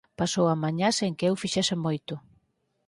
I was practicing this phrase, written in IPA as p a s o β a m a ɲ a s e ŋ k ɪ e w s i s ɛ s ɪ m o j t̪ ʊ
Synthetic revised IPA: p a s o w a m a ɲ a s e ŋ k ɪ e w f i ʃ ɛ s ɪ m o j t̪ ʊ